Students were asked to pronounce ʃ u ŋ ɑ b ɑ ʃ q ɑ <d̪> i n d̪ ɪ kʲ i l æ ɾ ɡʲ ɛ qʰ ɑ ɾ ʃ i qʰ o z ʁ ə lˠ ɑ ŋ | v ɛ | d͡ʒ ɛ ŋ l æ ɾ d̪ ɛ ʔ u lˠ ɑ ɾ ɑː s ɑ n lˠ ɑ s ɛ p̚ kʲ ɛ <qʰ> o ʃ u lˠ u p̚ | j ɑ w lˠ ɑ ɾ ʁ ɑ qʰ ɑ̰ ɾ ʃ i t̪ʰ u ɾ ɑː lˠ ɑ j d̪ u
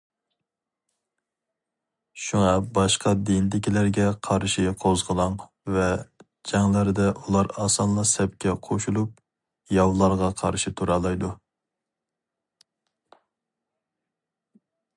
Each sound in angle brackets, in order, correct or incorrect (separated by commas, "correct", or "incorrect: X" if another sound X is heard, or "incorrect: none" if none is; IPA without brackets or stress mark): correct, correct